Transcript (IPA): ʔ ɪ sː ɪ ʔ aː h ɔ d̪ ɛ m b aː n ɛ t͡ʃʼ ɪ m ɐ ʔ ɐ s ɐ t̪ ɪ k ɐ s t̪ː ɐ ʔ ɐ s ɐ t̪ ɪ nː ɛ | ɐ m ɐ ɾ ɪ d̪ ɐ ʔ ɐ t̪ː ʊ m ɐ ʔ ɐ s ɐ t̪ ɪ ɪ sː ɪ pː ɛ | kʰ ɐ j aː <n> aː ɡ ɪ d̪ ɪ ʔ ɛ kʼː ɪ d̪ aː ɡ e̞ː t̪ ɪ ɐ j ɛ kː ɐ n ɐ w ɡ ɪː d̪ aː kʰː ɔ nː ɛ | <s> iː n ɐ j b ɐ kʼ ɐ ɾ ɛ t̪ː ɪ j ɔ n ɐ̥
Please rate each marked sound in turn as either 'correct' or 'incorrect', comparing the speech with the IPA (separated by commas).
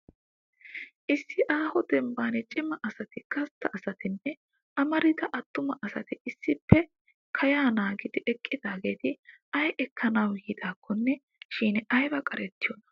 correct, incorrect